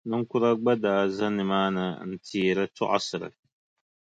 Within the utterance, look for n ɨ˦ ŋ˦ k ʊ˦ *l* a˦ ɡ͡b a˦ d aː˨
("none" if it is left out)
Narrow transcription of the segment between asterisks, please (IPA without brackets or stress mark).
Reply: ɾ